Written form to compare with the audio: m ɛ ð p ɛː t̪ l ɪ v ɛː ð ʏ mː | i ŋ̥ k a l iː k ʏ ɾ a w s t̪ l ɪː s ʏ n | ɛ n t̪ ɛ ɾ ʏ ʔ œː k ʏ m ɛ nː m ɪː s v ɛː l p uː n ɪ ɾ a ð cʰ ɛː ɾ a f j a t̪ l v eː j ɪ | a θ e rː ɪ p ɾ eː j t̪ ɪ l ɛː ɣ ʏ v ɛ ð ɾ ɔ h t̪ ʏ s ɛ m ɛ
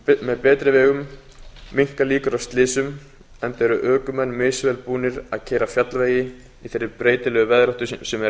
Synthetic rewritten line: m ɛ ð p ɛː t̪ ɾ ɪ v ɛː ɣ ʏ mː | i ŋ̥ k a l iː k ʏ ɾ a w s t̪ l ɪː s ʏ m | ɛ n t̪ ɛ ɾ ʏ ʔ œː k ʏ m ɛ nː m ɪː s v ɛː l p uː n ɪ ɾ a ð cʰ ɛː ɾ a f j a t̪ l v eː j ɪ | i θ e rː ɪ p ɾ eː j t̪ ɪ l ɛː ɣ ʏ v ɛ ð ɾ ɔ h t̪ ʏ s ɛ m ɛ